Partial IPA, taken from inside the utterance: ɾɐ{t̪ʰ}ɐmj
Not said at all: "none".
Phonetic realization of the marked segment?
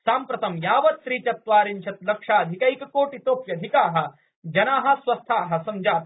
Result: t̪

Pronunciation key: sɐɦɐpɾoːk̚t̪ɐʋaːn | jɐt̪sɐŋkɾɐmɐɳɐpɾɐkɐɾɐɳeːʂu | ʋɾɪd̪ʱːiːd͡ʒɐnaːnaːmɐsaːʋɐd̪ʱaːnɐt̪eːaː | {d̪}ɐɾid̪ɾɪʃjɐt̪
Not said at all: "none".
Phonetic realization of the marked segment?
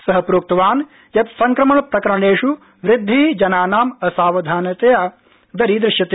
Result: d̪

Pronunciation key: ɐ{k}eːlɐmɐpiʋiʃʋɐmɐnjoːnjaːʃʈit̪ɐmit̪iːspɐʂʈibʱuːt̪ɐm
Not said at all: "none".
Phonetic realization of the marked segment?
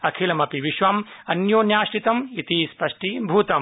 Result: kʰ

